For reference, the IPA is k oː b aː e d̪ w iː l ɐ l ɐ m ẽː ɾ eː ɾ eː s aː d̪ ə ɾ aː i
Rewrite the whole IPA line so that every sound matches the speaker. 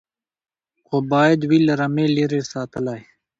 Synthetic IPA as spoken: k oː b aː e d̪ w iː l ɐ ɾ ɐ m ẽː l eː ɾ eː s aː t̪ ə l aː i